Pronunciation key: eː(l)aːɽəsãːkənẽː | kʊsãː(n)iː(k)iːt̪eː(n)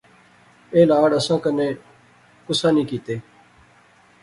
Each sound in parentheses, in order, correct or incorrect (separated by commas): correct, correct, correct, incorrect